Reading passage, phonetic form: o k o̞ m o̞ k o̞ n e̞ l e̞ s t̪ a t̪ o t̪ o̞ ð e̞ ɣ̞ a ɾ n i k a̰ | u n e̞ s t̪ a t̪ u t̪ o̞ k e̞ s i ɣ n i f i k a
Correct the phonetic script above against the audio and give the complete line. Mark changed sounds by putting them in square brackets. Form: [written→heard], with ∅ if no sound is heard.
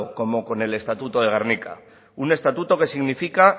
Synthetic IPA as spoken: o k o̞ m o̞ k o̞ n e̞ l e̞ s t̪ a t̪ [o→u] t̪ o̞ ð e̞ ɣ̞ a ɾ n i k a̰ | u n e̞ s t̪ a t̪ u t̪ o̞ k e̞ s i ɣ n i f i k a